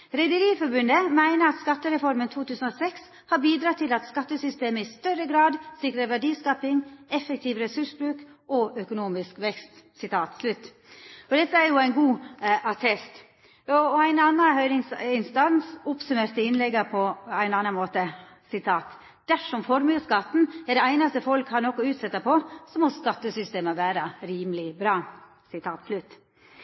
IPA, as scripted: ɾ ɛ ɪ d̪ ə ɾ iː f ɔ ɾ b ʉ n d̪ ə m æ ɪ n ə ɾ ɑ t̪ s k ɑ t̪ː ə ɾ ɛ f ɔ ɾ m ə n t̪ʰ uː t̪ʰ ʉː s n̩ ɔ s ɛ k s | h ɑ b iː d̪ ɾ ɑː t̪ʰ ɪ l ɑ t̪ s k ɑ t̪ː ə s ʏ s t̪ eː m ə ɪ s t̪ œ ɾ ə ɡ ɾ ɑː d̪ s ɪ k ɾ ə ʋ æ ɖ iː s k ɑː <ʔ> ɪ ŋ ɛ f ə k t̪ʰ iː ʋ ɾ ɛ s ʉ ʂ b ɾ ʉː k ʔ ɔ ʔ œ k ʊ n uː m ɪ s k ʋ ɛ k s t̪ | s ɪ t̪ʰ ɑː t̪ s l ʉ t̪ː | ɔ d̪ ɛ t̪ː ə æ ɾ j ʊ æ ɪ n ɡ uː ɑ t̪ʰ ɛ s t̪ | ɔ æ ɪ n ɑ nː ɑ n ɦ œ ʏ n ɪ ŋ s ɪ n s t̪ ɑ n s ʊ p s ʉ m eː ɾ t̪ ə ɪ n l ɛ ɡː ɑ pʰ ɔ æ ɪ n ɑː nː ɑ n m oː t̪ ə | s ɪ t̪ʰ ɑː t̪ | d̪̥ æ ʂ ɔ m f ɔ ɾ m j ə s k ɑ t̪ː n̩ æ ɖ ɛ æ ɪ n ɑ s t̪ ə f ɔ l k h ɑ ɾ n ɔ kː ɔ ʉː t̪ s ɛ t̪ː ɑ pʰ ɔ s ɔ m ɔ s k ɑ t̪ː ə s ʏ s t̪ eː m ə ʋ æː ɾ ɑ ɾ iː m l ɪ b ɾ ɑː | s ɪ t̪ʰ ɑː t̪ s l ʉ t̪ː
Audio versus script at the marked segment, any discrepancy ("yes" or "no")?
yes